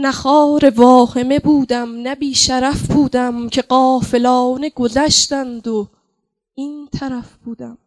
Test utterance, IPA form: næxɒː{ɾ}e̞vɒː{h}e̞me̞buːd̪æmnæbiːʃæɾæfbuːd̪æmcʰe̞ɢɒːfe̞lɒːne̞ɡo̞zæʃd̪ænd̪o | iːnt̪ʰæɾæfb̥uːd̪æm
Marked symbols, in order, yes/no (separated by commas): yes, yes